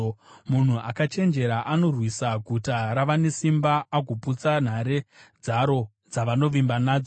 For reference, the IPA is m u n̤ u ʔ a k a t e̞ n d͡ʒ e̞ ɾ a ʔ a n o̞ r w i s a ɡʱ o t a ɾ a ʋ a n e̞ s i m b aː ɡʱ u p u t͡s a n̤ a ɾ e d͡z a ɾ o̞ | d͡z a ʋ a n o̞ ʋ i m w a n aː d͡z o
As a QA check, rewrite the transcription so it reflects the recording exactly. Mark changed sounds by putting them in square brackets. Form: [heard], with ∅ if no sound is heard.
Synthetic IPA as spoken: m u n̤ u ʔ a k a [t͡ʃ] e̞ n d͡ʒ e̞ ɾ a ʔ a n o̞ r w i s a ɡʱ [u] t a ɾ a ʋ a n e̞ s i m b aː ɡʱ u p u t͡s a n̤ a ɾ e d͡z a ɾ o̞ | d͡z a ʋ a n o̞ ʋ i m [b] a n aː d͡z o